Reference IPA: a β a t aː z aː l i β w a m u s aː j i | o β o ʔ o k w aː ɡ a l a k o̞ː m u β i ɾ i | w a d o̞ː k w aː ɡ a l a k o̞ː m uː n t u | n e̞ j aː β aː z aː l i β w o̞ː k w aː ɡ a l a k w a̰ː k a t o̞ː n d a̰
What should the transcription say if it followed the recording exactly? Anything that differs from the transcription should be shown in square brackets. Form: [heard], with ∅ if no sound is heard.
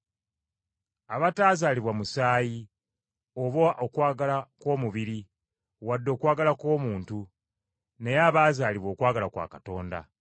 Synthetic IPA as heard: a β a t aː z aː l i β w a m u s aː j i | o β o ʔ o k w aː ɡ a l a k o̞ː m u β i ɾ i | w a [dː] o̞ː k w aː ɡ a l a k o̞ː m uː n t u | n e̞ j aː β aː z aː l i β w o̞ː k w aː ɡ a l a k w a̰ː k a t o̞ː n d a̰